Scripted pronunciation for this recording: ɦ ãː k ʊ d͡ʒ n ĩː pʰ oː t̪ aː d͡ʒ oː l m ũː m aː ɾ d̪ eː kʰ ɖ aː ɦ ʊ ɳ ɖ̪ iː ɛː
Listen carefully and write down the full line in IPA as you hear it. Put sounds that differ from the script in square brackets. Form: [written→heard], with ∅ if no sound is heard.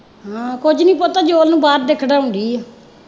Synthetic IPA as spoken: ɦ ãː k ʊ d͡ʒ n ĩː [pʰ→p] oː t̪ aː d͡ʒ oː l [m→n] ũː [m→b] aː ɾ d̪ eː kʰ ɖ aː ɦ ʊ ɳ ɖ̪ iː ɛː